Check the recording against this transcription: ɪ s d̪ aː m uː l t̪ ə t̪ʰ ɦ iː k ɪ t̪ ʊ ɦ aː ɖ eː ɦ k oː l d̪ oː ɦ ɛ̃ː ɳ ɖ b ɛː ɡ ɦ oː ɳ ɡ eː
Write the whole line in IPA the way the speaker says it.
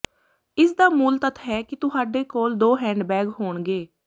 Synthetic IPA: ɪ s d̪ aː m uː l t̪ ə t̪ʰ ɦ ɛː k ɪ t̪ ʊ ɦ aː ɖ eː k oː l d̪ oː ɦ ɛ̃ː ɳ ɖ b ɛː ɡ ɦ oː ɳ ɡ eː